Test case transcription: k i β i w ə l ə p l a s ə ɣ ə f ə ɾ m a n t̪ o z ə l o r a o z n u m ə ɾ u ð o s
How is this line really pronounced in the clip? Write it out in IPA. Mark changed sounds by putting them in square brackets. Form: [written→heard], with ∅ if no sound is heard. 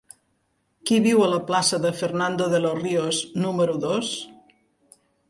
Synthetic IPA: k i β i w ə l ə p l a s ə [ɣ→ð] ə f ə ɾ [m→n] a n [t̪→d̪] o [z→ð] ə l o r [a→i] o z n u m ə ɾ u ð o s